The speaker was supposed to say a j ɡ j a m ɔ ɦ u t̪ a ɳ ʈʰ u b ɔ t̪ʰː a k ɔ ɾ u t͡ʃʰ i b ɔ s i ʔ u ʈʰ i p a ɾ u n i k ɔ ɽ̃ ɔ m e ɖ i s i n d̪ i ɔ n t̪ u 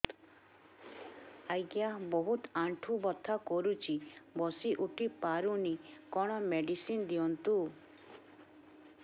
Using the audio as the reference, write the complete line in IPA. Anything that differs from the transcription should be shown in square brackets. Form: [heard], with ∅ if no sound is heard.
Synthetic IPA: a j ɡ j a [b] ɔ ɦ u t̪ a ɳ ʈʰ u b ɔ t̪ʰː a k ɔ ɾ u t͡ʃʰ i b ɔ s i ʔ u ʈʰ i p a ɾ u n i k ɔ ɽ̃ ɔ m e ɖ i s i n d̪ i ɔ n t̪ u